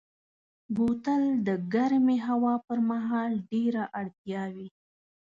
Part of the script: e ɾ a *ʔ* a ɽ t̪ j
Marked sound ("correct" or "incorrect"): correct